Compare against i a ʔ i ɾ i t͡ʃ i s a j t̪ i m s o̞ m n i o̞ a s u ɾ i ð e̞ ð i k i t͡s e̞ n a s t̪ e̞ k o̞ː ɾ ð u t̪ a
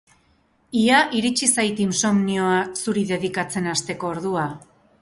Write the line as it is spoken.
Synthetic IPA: i a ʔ i ɾ i t͡ʃ i s a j t̪ i m s o̞ m n i o̞ a s u ɾ i ð e̞ ð i k a t͡s e̞ n a s t̪ e̞ k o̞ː ɾ ð u a